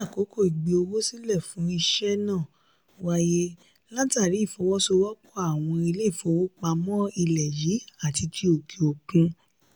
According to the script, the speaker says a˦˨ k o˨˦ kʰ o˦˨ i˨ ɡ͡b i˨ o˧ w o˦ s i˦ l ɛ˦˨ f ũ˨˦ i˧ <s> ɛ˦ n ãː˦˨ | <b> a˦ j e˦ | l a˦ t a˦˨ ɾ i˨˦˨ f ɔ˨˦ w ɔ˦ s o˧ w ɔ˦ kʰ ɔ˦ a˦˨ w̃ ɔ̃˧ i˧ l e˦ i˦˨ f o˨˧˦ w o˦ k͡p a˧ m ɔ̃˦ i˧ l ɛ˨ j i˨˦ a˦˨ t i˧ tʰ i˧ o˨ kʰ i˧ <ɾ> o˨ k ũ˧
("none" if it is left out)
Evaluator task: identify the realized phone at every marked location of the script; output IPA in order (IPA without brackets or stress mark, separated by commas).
ʃ, w, none